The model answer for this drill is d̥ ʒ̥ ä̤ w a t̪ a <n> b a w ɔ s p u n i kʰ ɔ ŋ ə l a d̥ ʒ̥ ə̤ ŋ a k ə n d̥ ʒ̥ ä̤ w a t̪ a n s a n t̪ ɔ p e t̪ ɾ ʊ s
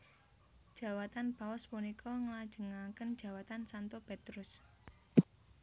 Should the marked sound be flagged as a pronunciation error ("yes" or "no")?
no